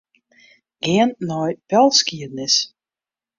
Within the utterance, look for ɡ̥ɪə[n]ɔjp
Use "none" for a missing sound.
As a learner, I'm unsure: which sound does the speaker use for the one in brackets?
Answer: nː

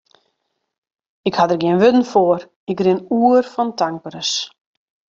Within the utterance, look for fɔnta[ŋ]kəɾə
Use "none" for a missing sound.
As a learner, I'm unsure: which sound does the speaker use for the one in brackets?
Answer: ŋ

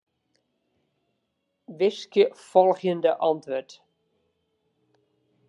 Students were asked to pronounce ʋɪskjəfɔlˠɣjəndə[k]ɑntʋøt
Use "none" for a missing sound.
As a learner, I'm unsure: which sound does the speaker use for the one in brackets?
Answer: ʔ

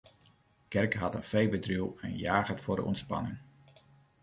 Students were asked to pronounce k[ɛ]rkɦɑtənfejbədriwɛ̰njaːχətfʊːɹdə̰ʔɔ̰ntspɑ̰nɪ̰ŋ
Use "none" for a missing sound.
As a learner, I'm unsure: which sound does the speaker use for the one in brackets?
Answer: ɛ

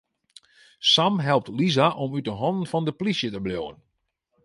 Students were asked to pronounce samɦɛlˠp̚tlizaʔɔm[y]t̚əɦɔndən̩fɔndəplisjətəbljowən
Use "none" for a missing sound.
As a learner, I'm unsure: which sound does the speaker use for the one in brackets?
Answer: y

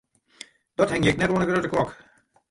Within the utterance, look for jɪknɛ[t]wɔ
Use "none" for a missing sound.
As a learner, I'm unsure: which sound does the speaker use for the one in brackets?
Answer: t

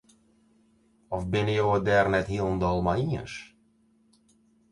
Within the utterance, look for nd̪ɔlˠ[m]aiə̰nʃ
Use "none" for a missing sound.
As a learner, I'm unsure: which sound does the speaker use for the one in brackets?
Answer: m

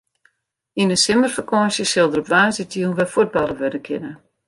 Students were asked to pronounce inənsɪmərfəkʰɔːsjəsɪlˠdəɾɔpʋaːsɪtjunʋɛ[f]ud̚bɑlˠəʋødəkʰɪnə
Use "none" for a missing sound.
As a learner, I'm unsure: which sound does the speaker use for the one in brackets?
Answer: f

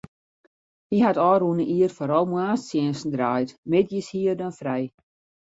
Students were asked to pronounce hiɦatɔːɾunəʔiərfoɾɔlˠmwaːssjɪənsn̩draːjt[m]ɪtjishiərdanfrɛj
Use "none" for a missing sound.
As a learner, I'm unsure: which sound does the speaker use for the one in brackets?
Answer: m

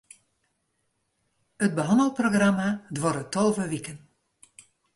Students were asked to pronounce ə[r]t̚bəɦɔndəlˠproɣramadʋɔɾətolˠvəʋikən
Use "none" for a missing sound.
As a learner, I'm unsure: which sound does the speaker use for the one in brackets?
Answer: none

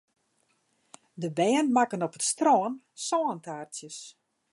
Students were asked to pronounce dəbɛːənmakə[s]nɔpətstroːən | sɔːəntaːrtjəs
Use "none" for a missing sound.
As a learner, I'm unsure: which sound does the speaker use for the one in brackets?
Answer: none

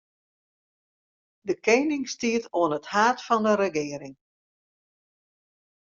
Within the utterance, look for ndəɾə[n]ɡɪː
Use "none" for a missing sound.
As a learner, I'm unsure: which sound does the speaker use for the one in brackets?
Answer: none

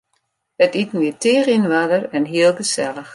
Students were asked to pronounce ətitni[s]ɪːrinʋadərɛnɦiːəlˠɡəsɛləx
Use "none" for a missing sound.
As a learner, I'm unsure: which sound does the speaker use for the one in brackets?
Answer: t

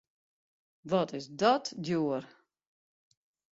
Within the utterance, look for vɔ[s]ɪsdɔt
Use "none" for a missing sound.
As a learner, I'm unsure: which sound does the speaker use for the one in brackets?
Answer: t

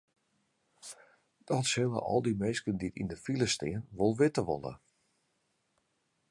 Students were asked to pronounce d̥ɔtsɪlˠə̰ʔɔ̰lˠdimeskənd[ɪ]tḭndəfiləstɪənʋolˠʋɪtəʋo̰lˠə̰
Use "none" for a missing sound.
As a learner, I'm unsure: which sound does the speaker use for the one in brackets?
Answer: i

